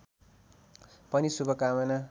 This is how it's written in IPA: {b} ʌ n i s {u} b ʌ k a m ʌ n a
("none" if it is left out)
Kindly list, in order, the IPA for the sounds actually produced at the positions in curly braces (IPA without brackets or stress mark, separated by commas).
p, u